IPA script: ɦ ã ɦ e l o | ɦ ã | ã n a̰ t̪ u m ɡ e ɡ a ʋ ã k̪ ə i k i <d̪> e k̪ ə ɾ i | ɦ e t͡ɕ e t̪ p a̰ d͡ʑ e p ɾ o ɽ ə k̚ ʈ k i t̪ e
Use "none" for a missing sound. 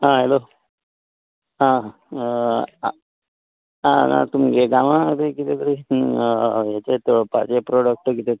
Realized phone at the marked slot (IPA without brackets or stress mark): t̪